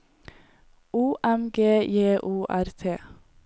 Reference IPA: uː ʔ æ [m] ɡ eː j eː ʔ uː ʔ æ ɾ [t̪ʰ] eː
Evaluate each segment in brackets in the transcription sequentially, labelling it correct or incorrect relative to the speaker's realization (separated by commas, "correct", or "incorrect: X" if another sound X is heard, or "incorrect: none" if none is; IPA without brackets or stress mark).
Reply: correct, correct